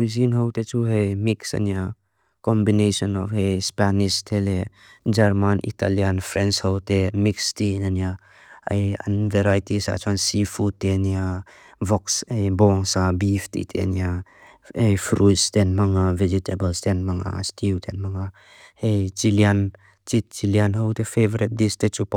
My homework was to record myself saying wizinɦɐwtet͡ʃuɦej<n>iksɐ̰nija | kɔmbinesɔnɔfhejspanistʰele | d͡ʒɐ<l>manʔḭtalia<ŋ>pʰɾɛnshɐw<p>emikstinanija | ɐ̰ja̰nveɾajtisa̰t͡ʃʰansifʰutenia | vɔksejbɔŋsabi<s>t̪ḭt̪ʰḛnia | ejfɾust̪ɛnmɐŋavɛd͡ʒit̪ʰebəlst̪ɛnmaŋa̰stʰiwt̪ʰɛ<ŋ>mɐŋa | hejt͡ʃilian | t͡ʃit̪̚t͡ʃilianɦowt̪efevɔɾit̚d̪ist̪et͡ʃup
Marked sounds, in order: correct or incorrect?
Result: incorrect: m, incorrect: ɾ, incorrect: n, incorrect: t, incorrect: f, incorrect: n

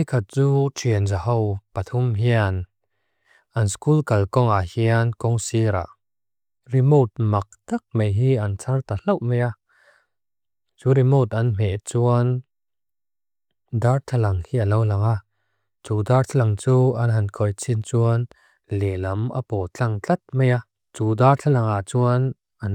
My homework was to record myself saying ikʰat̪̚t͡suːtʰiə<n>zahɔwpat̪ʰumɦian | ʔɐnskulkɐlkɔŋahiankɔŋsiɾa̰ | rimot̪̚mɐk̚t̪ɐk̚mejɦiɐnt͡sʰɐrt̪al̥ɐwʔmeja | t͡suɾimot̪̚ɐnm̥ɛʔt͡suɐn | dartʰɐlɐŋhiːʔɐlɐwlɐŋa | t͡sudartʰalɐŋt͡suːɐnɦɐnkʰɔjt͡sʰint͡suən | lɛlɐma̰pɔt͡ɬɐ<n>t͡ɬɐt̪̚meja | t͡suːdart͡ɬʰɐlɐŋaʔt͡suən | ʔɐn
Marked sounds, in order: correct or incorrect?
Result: correct, incorrect: ŋ

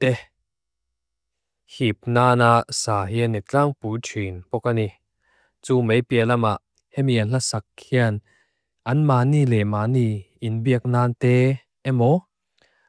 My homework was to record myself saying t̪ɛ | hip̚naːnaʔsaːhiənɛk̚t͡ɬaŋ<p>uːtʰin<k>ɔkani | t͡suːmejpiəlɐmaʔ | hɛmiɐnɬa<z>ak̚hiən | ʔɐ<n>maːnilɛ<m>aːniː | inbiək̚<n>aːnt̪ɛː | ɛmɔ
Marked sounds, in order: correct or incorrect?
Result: correct, incorrect: p, incorrect: s, correct, correct, correct

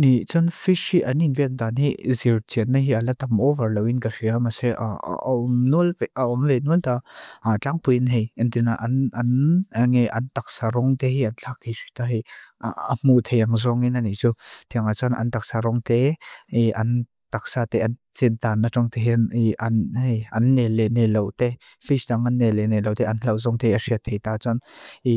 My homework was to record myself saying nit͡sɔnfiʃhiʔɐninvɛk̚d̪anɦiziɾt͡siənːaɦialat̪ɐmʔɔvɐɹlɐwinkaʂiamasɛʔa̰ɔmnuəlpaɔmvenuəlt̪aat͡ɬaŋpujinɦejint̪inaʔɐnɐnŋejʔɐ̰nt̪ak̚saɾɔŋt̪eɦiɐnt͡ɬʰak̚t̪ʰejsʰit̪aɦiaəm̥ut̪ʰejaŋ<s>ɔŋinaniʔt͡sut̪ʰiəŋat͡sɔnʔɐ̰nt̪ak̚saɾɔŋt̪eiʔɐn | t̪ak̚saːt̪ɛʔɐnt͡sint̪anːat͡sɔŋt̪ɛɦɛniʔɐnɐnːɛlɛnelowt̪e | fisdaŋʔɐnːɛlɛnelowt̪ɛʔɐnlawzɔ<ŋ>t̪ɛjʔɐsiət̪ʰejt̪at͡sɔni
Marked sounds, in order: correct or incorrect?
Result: incorrect: z, correct

